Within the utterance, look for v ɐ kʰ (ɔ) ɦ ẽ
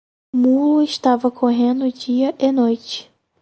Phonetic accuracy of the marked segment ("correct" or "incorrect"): incorrect